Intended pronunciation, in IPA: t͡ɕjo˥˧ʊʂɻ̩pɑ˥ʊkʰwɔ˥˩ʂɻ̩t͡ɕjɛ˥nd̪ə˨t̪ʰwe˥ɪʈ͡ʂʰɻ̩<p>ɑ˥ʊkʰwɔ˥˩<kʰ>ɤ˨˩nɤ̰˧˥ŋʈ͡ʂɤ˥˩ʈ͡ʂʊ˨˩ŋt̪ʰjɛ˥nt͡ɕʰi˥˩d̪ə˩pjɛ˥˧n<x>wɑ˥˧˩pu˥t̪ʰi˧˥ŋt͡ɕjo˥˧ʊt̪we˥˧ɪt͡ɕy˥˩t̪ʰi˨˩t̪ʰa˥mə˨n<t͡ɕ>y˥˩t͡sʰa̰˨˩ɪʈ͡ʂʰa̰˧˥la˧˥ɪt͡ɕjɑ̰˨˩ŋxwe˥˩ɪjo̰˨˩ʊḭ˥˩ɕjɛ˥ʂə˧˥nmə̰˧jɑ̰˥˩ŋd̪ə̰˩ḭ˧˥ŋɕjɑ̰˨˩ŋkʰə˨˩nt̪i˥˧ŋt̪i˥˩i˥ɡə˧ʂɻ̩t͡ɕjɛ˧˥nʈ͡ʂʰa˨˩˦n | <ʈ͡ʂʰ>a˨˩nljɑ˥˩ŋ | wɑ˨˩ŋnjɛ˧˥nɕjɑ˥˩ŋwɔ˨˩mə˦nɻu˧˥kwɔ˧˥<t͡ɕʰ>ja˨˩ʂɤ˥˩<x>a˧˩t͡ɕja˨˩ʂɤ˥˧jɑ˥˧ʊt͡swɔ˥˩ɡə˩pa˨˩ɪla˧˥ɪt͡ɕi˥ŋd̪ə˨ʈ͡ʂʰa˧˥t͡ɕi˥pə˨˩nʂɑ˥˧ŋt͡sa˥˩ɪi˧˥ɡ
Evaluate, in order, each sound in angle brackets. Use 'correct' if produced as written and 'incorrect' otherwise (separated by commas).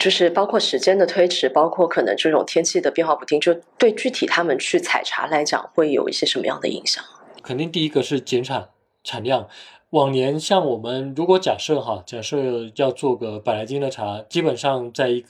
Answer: correct, correct, correct, incorrect, correct, incorrect, correct